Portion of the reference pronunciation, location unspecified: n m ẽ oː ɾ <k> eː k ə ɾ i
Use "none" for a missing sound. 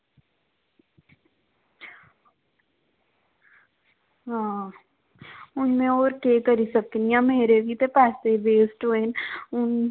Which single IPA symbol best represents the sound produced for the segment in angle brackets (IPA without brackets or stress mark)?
k